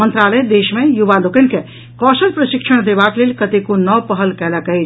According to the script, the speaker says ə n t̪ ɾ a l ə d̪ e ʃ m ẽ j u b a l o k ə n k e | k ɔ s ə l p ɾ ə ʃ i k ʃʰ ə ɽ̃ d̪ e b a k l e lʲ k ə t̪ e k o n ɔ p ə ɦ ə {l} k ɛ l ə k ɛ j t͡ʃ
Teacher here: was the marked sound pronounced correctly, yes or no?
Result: yes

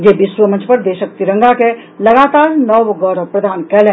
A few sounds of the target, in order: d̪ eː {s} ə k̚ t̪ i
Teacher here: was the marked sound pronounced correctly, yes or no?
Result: no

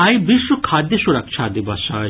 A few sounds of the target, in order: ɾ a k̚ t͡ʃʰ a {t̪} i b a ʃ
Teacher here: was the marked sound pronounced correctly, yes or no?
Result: no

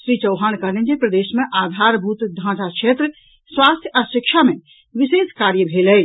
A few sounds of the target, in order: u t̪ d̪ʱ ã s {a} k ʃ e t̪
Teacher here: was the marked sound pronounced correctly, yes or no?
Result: yes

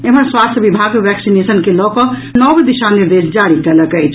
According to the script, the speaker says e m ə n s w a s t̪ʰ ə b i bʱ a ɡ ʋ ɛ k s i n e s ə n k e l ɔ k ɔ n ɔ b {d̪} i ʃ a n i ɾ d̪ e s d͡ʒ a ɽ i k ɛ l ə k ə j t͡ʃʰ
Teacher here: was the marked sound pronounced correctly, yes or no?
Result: yes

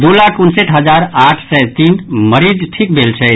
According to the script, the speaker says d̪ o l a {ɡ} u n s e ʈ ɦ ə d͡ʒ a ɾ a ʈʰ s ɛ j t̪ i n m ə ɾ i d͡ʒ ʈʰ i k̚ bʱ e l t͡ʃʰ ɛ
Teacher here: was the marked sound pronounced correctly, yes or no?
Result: no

